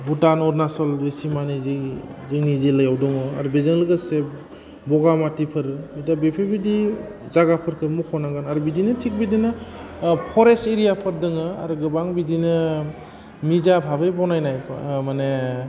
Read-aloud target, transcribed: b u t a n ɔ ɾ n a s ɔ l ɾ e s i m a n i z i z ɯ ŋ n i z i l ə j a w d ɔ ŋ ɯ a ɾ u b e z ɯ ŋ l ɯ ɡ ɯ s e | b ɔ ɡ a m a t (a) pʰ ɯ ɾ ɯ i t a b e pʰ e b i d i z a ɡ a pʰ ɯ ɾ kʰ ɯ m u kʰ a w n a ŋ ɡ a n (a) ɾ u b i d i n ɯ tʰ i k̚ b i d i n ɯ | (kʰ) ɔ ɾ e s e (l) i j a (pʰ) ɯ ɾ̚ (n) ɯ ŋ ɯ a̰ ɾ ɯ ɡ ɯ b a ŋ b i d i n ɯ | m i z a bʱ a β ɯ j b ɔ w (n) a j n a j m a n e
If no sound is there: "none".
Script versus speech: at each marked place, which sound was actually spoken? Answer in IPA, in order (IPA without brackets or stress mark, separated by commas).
i, a, pʰ, ɾ, pʰ, d, n